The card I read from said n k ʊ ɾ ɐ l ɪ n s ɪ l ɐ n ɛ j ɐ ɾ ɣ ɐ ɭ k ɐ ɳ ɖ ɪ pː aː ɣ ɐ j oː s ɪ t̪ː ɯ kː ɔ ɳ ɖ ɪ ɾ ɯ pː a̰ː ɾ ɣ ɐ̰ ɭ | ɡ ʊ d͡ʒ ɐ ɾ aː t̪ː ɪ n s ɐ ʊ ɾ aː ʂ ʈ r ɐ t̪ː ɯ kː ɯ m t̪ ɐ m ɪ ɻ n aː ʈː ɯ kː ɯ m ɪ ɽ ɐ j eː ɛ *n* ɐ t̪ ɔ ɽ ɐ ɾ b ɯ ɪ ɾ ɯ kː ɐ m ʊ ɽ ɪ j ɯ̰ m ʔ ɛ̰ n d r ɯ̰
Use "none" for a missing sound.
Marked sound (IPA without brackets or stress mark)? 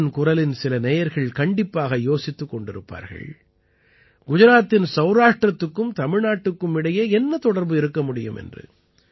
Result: nː